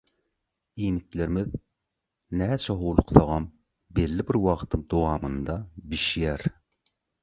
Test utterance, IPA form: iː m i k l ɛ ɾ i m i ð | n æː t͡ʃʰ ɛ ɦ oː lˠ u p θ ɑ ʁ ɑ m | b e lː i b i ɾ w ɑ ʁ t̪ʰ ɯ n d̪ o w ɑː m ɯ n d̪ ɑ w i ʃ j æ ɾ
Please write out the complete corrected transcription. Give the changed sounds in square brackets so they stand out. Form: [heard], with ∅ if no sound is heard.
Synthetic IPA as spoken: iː m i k l [e] ɾ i m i ð | n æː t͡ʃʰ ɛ ɦ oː lˠ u [q] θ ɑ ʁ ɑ m | b e lː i b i ɾ w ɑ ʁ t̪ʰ ɯ [ŋ] d̪ o w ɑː m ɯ n d̪ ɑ [b] i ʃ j æ ɾ